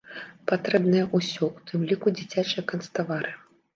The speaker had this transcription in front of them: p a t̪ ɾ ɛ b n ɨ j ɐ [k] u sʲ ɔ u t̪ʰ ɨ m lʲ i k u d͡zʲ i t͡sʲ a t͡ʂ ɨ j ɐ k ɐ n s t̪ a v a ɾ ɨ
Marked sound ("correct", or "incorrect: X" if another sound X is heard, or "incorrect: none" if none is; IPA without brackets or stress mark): incorrect: ʔ